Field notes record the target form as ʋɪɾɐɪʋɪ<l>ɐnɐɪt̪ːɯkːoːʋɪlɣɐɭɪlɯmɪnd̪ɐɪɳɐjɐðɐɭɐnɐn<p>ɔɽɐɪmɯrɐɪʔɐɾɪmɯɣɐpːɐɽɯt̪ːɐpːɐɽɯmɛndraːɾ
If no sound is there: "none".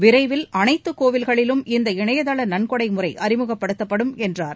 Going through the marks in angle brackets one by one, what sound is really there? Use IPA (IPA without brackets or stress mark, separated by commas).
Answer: l, k